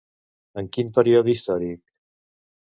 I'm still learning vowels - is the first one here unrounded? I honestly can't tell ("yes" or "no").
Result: yes